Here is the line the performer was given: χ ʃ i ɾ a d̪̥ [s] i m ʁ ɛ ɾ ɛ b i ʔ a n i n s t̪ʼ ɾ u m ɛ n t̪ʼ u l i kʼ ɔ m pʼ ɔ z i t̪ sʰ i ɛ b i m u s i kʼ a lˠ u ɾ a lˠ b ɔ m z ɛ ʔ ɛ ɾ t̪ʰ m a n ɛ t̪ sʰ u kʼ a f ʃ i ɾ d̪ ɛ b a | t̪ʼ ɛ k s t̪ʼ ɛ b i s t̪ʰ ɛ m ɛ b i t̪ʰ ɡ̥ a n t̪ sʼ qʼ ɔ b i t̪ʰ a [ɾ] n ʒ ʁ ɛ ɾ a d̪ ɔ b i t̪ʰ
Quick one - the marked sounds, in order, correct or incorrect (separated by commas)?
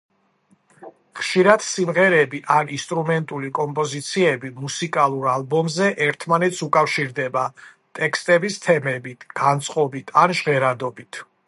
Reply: correct, incorrect